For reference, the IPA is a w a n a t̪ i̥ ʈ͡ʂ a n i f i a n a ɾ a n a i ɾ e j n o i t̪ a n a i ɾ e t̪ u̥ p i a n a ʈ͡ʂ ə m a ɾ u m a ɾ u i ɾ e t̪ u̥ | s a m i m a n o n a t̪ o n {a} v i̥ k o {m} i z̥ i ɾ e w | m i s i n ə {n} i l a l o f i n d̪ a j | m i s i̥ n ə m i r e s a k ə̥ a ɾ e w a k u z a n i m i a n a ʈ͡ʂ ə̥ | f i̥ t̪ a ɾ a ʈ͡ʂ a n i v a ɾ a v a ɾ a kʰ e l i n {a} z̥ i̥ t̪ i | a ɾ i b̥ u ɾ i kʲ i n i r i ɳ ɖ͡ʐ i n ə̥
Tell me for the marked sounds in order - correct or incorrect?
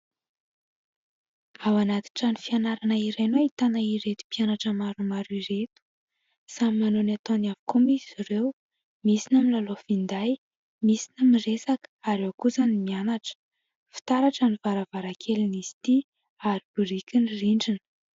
correct, correct, incorrect, incorrect

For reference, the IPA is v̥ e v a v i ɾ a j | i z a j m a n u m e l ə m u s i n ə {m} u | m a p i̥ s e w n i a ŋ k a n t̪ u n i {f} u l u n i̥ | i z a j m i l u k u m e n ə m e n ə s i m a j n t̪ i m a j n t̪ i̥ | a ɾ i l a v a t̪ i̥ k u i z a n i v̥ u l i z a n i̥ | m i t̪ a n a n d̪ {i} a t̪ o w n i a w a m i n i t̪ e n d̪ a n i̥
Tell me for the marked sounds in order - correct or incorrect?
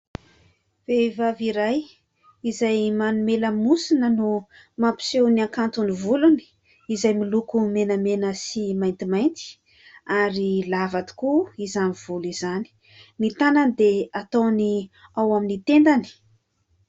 incorrect, incorrect, incorrect

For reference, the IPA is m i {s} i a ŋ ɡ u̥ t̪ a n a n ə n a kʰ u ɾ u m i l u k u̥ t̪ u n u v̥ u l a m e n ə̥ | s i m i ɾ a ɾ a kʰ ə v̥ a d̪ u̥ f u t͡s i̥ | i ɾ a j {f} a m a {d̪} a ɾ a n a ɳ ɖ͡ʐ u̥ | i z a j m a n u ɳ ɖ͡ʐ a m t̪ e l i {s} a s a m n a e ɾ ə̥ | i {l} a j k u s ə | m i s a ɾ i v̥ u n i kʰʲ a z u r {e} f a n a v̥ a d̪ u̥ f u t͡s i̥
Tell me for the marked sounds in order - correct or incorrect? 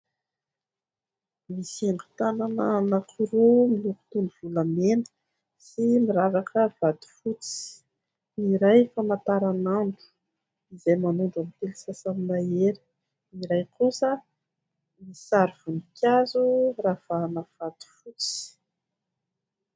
correct, correct, incorrect, correct, incorrect, incorrect

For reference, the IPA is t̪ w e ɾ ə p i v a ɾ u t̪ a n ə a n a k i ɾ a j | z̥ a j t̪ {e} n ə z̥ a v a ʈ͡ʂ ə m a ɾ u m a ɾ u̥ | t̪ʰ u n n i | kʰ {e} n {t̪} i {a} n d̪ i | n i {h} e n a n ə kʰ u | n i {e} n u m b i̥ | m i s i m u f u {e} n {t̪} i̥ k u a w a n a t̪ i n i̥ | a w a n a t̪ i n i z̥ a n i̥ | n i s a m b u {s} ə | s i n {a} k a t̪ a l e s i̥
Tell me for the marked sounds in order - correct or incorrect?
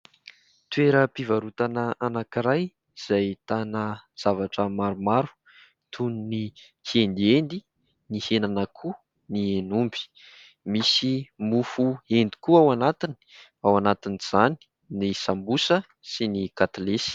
incorrect, correct, incorrect, incorrect, correct, correct, correct, incorrect, correct, incorrect

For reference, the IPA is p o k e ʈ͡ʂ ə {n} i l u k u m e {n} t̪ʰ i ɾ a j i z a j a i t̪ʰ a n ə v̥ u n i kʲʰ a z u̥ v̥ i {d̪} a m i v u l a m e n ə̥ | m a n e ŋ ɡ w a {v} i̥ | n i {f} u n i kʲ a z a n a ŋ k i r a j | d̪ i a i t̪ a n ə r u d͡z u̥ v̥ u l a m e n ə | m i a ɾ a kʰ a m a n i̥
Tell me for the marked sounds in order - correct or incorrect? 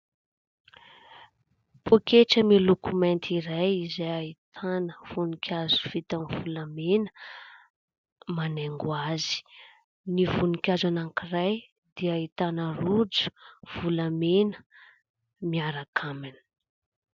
incorrect, correct, incorrect, incorrect, incorrect

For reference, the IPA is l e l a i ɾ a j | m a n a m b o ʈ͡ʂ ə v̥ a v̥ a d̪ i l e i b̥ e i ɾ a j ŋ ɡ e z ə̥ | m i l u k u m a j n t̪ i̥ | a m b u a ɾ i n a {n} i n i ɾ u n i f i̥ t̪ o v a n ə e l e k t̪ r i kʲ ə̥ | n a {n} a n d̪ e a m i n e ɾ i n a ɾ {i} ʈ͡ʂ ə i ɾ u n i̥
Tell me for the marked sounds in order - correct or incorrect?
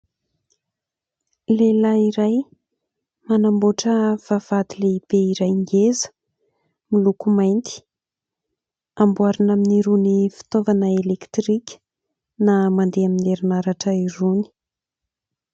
incorrect, incorrect, incorrect

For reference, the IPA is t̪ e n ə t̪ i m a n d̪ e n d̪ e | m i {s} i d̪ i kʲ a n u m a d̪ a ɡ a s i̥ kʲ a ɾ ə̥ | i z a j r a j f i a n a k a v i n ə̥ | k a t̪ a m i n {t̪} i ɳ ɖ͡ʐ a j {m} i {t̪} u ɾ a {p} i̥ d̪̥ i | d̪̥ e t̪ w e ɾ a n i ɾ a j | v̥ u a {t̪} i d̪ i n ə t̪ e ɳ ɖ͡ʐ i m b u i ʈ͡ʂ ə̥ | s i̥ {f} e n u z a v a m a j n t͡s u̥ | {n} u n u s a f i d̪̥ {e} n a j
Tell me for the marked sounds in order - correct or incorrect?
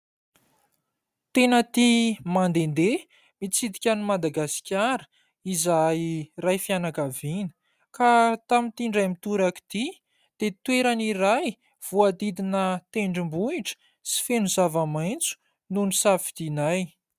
incorrect, correct, correct, correct, incorrect, incorrect, correct, correct, incorrect

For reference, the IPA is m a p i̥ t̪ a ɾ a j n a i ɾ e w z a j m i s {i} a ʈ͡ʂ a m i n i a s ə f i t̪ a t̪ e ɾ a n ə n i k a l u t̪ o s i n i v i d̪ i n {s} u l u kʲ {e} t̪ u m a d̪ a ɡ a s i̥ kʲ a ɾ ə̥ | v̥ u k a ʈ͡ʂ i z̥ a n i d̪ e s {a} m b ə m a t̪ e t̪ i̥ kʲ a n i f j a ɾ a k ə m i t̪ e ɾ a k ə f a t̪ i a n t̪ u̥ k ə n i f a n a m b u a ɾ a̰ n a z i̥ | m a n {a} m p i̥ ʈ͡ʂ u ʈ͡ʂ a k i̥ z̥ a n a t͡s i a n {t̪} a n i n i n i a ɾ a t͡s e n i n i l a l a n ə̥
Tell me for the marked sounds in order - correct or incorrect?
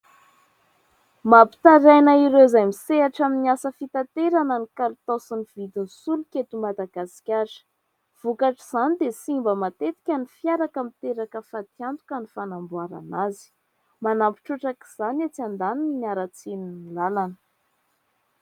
incorrect, correct, correct, incorrect, correct, incorrect

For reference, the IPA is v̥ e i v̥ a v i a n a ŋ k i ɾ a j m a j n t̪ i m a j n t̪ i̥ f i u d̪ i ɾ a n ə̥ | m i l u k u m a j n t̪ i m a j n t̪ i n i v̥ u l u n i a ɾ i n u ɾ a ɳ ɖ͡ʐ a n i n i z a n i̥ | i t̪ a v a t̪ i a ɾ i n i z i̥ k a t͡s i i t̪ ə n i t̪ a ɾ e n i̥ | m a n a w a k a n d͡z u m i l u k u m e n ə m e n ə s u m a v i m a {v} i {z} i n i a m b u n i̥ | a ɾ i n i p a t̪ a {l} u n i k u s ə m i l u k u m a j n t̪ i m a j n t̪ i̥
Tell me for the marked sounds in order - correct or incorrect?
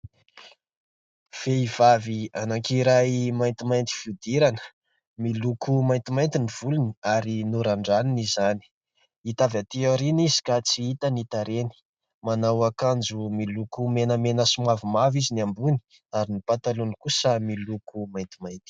correct, correct, correct

